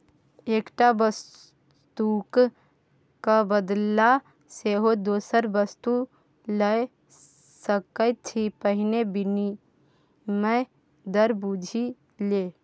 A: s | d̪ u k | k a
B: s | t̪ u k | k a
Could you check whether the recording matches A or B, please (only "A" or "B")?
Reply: B